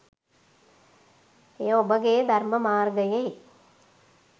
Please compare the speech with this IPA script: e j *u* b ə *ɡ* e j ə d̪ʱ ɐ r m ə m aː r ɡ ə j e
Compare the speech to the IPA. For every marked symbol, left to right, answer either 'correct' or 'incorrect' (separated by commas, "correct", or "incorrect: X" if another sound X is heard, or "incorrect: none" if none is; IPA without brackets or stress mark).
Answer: incorrect: o, correct